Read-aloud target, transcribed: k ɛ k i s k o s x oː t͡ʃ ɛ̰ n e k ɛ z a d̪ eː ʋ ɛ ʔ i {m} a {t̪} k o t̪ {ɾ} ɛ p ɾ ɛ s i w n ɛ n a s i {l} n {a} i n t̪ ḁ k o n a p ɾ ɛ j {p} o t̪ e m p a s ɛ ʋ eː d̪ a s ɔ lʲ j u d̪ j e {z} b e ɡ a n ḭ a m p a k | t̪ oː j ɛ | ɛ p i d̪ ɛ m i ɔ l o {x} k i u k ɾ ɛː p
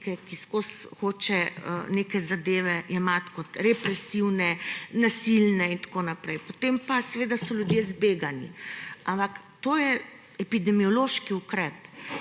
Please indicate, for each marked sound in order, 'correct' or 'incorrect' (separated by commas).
correct, correct, correct, correct, incorrect, correct, correct, incorrect